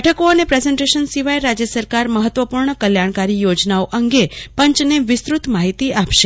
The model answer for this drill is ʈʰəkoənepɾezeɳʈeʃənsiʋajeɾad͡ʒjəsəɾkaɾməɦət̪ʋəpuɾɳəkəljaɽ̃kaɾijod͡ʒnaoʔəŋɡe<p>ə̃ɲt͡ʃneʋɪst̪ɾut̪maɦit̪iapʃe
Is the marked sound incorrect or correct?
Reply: correct